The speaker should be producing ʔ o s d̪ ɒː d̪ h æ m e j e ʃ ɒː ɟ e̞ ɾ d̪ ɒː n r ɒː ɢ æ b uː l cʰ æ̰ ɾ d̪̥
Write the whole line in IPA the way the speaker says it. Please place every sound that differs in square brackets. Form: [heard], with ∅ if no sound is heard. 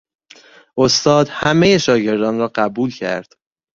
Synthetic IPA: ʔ o s [t̪] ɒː d̪ h æ m e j e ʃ ɒː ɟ e̞ ɾ d̪ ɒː n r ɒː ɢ æ b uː l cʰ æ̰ ɾ d̪̥

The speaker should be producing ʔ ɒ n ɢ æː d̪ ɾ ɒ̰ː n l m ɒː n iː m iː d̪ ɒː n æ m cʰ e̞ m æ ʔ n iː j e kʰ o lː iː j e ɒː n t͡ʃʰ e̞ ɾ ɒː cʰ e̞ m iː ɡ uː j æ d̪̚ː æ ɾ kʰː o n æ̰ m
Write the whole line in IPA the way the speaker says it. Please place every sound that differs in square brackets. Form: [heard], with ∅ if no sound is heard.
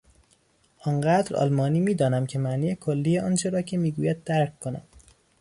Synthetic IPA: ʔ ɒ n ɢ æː d̪ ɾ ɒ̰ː [∅] l m ɒː n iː m iː d̪ ɒː n æ m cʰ e̞ m æ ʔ n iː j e kʰ o lː iː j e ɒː n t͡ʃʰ e̞ ɾ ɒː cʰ e̞ m iː ɡ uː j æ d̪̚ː æ ɾ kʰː o n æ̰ m

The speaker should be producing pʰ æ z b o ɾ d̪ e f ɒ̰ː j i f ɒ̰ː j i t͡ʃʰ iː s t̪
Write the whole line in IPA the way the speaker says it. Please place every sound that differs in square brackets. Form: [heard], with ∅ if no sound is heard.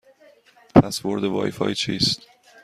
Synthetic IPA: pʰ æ [s] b o ɾ d̪ e [v] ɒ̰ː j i f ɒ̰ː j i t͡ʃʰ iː s t̪

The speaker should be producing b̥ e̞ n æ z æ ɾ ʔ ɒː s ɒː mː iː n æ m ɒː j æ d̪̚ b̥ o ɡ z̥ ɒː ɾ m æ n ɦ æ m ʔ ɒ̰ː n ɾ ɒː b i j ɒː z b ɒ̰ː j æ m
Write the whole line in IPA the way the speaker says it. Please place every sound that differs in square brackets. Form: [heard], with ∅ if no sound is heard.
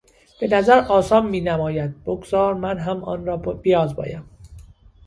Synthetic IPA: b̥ e̞ n æ z æ ɾ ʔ ɒː s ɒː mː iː n æ m ɒː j æ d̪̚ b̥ o ɡ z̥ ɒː ɾ m æ n ɦ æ m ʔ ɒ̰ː n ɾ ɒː b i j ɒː z b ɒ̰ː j æ m

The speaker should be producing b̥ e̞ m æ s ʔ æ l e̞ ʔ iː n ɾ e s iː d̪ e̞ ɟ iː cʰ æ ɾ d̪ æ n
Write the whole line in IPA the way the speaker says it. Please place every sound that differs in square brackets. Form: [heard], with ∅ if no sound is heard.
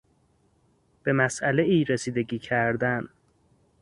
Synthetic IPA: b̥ e̞ m æ s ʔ æ l e̞ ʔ iː [∅] ɾ e s iː d̪ e̞ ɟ iː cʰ æ ɾ d̪ æ n

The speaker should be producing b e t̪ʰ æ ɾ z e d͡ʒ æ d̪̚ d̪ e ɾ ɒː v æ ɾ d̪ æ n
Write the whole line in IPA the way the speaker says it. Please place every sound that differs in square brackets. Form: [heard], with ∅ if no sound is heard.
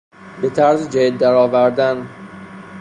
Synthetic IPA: b e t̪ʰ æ ɾ z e d͡ʒ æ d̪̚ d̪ [æ] ɾ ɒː v æ ɾ d̪ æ n

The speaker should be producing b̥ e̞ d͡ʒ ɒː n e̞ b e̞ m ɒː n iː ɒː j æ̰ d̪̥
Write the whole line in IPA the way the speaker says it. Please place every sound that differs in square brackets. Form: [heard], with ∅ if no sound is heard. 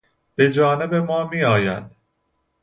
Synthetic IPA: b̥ e̞ d͡ʒ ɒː n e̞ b e̞ m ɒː [m] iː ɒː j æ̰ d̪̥

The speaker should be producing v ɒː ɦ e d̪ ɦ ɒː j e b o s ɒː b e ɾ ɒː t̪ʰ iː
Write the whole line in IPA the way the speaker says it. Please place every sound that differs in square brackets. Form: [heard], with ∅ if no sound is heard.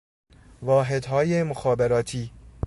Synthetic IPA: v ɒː ɦ e d̪ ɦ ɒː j e [m] o [x] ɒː b e ɾ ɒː t̪ʰ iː

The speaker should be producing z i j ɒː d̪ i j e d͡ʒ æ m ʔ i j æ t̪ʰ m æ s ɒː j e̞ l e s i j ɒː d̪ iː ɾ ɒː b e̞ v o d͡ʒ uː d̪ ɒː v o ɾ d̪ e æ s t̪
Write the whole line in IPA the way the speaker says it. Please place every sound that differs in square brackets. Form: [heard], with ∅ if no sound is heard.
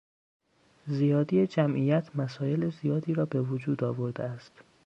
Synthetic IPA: z i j ɒː d̪ i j e d͡ʒ æ m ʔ i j æ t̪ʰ m æ s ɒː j e̞ l e [z] i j ɒː d̪ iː ɾ ɒː b e̞ v o d͡ʒ uː d̪ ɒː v o ɾ d̪ e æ s t̪

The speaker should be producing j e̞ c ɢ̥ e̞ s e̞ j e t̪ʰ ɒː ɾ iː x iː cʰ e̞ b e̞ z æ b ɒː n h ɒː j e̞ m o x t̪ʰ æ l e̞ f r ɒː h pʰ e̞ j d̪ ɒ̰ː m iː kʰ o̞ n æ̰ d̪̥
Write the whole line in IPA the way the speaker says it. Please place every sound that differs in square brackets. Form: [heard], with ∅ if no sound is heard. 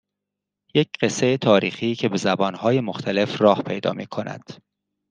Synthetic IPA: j e̞ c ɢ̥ e̞ s e̞ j e t̪ʰ ɒː ɾ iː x iː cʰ e̞ b e̞ z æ b ɒː n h ɒː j e̞ m o x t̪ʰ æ l e̞ f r ɒː h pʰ e̞ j d̪ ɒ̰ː m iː kʰ o̞ n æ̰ d̪̥

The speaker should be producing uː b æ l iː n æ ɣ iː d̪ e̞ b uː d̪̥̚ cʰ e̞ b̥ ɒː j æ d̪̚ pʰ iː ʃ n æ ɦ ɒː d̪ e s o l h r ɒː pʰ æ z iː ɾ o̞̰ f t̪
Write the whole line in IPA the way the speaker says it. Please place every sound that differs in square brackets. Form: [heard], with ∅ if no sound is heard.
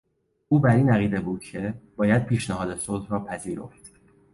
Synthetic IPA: uː b æ [ɾ] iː n æ ɣ iː d̪ e̞ b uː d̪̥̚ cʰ e̞ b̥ ɒː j æ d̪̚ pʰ iː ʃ n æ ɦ ɒː d̪ e s o l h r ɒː pʰ æ z iː ɾ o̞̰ f t̪

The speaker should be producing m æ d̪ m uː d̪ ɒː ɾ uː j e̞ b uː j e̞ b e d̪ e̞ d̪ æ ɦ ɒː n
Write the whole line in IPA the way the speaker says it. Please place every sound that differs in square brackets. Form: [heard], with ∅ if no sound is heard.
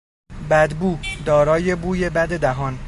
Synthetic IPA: [b] æ d̪ [b] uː d̪ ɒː ɾ [ɒː] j e̞ b uː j e̞ b [æ] d̪ e̞ d̪ æ ɦ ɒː n

